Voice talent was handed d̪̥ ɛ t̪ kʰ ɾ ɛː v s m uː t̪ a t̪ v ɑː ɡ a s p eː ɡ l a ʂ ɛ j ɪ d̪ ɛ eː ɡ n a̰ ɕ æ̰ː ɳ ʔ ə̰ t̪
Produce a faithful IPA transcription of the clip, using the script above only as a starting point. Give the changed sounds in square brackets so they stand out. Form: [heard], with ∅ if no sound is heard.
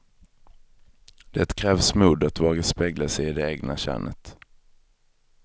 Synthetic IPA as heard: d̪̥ ɛ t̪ kʰ ɾ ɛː v s m uː [d̪] a t̪ v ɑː ɡ a s p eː ɡ l a [s] ɛ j ɪ d̪ ɛ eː ɡ n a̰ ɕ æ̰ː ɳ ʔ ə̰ t̪

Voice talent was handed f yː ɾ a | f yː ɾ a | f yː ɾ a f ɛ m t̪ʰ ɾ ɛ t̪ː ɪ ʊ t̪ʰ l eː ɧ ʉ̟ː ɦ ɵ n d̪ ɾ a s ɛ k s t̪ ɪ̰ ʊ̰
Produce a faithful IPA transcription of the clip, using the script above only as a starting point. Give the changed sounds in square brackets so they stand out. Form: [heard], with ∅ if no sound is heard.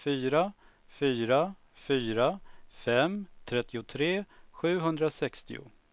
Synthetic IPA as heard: f yː ɾ a | f yː ɾ a | f yː ɾ a f ɛ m t̪ʰ ɾ ɛ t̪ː ɪ ʊ t̪ʰ [ɾ] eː ɧ ʉ̟ː ɦ ɵ n d̪ ɾ a s ɛ k s t̪ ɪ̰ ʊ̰

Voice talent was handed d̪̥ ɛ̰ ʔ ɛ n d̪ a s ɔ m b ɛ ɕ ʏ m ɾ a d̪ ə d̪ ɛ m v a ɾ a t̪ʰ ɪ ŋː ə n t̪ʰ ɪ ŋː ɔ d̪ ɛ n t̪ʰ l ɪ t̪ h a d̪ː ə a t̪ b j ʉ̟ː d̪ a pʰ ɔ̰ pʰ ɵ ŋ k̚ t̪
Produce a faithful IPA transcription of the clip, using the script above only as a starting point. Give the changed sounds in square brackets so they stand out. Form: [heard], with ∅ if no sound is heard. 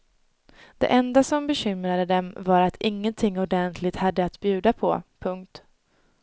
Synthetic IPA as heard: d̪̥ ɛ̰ ʔ ɛ n d̪ a s ɔ m b ɛ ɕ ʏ m ɾ a d̪ ə d̪ ɛ m v a ɾ a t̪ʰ ɪ ŋː ə n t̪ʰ ɪ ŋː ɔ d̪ ɛ n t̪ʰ l ɪ t̪ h a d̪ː ə a t̪ b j ʉ̟ː d̪ a pʰ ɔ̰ pʰ ɵ ŋ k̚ t̪

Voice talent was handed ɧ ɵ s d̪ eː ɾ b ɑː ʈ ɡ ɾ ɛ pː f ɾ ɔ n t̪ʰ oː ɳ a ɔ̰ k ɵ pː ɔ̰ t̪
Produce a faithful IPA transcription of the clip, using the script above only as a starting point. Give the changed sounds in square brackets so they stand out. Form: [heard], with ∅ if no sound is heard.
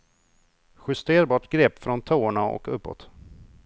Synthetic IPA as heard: ɧ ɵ s [t̪] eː ɾ b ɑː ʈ ɡ ɾ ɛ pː f ɾ ɔ n t̪ʰ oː ɳ a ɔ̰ k ɵ pː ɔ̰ t̪

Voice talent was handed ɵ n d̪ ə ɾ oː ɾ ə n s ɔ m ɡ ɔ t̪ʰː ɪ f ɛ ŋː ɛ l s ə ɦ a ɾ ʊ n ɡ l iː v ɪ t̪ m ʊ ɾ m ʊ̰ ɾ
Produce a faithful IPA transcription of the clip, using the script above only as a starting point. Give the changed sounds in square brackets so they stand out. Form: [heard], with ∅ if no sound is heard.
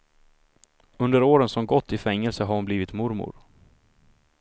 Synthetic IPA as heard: ɵ n d̪ ə ɾ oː ɾ ə n s ɔ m ɡ ɔ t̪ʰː ɪ f ɛ ŋː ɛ l s ə ɦ a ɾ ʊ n [b] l iː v ɪ t̪ m ʊ ɾ m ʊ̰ ɾ

